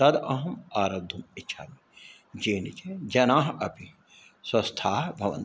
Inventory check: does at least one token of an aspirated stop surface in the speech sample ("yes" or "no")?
yes